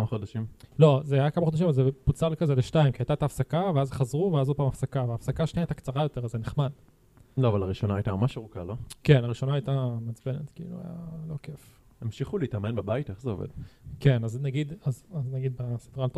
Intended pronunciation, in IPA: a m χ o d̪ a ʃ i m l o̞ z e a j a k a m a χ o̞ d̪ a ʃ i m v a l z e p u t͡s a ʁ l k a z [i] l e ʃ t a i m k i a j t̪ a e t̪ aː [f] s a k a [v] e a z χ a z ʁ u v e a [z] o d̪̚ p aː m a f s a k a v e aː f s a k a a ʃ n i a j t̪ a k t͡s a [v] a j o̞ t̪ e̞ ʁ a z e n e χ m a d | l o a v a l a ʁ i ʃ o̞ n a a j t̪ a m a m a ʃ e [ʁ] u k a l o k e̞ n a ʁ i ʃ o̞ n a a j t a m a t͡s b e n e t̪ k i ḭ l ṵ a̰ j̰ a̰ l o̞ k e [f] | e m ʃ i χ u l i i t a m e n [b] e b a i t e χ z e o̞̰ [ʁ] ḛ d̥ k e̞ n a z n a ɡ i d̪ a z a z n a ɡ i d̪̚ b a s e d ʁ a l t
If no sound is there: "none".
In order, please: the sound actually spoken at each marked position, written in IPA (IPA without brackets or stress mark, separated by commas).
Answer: e, f, v, z, ʁ, ʁ, f, b, v